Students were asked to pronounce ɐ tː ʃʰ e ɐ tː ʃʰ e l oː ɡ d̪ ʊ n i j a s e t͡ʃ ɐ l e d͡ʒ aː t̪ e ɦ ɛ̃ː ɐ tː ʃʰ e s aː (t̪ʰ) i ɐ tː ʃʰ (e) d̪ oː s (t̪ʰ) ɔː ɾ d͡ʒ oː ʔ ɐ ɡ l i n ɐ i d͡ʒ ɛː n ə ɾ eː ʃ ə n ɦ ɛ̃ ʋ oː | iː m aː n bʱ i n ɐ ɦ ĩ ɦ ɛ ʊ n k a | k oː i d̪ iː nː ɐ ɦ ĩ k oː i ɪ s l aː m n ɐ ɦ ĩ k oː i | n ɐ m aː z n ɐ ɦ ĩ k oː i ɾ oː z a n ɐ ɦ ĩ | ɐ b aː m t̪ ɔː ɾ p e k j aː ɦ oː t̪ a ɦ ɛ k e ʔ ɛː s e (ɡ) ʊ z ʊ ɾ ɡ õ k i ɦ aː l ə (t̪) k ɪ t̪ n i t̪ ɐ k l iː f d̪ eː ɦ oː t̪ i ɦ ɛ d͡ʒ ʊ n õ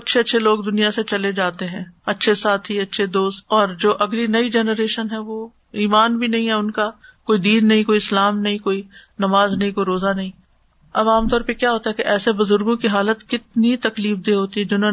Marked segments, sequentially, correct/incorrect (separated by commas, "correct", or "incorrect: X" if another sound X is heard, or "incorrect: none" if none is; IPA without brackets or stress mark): correct, correct, incorrect: t̪, incorrect: b, correct